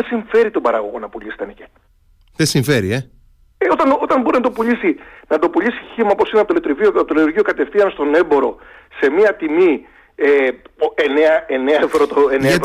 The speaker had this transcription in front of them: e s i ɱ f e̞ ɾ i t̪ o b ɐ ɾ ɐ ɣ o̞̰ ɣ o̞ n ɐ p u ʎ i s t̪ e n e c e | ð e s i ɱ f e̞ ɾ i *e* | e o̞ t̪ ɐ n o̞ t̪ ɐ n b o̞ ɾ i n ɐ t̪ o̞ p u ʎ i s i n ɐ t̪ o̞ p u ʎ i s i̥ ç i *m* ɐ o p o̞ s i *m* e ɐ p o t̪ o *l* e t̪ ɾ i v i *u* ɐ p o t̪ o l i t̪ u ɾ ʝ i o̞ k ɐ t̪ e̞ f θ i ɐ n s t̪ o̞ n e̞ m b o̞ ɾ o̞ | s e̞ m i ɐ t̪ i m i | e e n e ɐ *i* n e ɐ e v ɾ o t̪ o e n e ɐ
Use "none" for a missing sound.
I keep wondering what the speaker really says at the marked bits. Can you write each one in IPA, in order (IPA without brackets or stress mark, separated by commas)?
e, m, n, l, o, e